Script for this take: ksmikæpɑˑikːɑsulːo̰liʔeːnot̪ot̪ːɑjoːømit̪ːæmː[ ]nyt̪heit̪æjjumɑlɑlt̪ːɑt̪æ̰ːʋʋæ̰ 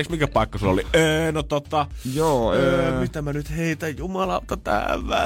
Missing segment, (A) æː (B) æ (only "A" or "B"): B